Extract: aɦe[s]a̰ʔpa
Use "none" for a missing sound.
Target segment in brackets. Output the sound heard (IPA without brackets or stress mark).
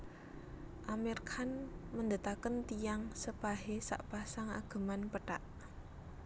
s